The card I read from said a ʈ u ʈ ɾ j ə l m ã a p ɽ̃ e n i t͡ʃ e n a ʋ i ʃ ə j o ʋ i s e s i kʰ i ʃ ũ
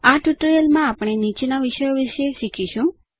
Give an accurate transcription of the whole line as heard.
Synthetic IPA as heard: a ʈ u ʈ ɾ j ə l m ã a p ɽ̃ e n i t͡ʃ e n a ʋ i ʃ ə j o ʋ i ʃ e ʃ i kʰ i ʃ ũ